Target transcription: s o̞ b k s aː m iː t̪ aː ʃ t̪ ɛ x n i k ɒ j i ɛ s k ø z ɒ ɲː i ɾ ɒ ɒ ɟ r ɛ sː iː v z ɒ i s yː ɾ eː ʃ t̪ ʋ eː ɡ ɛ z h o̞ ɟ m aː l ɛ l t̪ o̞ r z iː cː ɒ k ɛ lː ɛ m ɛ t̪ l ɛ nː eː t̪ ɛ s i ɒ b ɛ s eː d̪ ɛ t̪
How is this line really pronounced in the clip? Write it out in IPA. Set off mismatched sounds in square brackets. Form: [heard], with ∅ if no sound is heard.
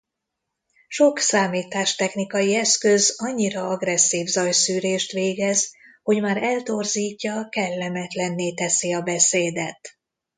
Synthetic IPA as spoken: [ʃ] o̞ [∅] k s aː m iː t̪ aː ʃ t̪ ɛ x n i k ɒ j i ɛ s k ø z ɒ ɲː i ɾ ɒ ɒ [ɡ] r ɛ sː iː v z ɒ [j] s yː ɾ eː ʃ t̪ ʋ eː ɡ ɛ z h o̞ ɟ m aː [ɾ] ɛ l t̪ o̞ r z iː cː ɒ k ɛ lː ɛ m ɛ t̪ l ɛ nː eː t̪ ɛ s i ɒ b ɛ s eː d̪ ɛ t̪